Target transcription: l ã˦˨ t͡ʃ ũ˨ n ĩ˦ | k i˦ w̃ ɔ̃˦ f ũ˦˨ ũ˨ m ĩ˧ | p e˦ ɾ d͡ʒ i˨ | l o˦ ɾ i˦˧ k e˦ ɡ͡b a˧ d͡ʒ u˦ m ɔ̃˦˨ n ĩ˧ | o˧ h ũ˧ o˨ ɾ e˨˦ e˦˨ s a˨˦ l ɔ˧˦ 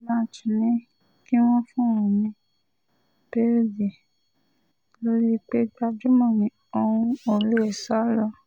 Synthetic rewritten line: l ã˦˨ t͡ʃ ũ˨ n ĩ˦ | k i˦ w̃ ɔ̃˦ f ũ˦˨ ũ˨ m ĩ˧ | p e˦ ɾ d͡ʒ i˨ | l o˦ ɾ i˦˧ k͡p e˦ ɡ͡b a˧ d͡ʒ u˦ m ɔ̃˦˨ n ĩ˧ | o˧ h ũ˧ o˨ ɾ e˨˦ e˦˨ s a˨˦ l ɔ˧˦